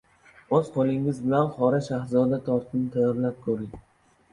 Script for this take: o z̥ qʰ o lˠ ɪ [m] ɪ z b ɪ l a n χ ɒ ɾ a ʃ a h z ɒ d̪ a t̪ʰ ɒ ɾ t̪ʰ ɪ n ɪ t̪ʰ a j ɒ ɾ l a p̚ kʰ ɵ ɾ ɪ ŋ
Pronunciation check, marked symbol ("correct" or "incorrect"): incorrect